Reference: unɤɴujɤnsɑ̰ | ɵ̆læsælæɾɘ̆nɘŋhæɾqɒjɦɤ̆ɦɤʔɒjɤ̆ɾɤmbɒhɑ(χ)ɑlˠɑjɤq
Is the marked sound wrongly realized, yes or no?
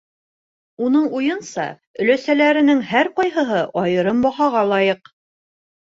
yes